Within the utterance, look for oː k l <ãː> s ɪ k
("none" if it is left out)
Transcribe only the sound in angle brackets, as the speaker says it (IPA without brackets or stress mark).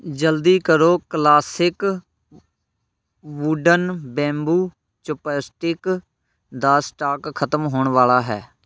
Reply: aː